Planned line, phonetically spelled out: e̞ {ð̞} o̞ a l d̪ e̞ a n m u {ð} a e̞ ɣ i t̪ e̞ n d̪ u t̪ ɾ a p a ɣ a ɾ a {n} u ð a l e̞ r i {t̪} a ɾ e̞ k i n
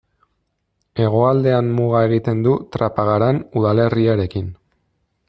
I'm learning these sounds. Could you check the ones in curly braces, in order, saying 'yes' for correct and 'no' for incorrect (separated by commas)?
no, no, yes, no